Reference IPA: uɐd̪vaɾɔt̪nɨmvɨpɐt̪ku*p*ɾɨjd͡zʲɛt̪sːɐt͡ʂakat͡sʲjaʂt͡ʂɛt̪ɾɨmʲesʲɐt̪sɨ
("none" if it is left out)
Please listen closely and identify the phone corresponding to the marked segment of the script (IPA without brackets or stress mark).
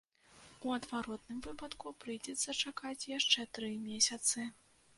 p